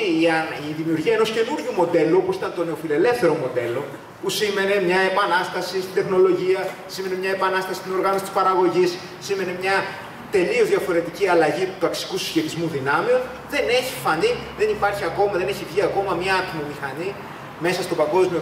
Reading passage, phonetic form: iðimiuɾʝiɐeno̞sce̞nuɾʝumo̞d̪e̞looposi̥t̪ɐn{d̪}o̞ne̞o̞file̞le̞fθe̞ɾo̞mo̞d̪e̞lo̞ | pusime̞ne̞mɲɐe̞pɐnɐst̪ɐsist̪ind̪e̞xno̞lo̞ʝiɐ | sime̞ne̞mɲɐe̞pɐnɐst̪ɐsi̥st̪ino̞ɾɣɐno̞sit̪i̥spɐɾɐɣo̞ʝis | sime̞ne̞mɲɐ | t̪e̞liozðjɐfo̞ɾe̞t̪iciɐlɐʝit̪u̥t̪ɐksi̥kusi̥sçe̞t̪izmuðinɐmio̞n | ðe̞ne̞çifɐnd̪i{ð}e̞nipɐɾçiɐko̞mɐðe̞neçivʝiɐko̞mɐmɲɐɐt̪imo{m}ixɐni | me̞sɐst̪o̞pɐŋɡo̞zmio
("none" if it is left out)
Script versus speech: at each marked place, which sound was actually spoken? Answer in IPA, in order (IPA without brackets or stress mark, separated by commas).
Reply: t̪, ð, m